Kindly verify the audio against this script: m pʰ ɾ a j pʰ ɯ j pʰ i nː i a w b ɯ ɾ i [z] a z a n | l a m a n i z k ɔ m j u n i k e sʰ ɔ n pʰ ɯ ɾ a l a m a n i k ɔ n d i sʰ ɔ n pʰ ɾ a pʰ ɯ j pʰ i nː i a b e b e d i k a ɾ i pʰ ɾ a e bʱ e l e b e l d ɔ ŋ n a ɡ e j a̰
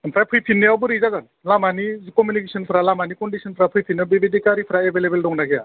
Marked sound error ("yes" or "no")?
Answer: no